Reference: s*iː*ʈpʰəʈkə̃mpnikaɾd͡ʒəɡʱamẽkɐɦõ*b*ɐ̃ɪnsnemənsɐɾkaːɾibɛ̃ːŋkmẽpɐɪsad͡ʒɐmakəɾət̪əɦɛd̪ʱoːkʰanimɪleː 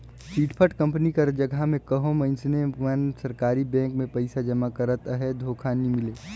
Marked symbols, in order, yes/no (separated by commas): yes, no